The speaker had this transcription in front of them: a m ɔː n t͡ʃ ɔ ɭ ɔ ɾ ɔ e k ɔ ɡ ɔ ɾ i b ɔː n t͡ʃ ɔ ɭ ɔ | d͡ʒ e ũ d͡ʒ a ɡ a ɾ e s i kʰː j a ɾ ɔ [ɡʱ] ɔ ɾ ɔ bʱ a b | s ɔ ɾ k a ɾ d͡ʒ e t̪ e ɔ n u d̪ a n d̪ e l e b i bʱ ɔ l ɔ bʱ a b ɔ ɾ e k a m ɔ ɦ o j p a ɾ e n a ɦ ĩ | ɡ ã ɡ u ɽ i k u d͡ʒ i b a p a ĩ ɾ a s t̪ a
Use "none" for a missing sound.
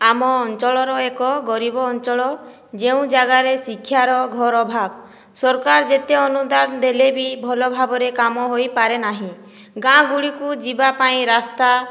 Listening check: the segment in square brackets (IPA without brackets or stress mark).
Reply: ɡʱ